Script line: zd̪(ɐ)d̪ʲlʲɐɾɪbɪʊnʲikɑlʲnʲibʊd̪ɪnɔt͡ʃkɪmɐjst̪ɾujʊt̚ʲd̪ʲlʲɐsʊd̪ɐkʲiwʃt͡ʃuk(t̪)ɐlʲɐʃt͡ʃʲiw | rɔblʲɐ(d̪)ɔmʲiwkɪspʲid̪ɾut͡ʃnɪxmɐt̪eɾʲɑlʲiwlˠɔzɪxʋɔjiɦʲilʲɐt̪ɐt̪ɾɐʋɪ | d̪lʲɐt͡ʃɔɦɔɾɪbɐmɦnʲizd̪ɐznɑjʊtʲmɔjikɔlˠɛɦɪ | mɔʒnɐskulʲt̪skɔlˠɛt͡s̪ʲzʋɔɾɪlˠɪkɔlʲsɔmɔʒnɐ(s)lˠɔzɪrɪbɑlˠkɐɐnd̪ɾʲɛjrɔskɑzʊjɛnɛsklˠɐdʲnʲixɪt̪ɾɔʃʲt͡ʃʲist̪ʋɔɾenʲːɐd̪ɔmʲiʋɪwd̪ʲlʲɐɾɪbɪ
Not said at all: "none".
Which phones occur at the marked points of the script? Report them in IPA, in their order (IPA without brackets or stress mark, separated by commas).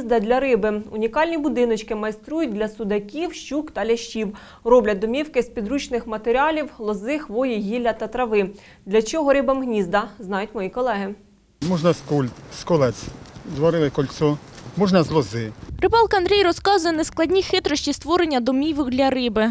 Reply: ɐ, t̪, d̪, z